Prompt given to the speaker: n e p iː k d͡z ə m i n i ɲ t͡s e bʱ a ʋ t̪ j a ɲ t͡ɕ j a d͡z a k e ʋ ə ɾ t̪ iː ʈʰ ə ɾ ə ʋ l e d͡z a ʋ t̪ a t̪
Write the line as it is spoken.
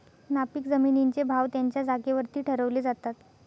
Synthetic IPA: n a p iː k d͡z ə m i n i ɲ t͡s e bʱ a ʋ t̪ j a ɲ t͡ɕ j a d͡z a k e ʋ ə ɾ t̪ iː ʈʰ ə ɾ ə ʋ l e d͡z a t̪ a t̪